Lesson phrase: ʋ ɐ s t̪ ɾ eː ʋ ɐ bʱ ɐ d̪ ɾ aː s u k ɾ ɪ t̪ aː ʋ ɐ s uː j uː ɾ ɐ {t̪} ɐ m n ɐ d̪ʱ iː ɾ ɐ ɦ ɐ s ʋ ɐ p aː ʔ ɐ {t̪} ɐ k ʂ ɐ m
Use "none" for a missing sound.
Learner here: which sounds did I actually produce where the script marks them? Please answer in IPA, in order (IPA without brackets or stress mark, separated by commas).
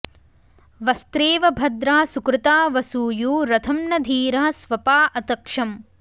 t̪ʰ, t̪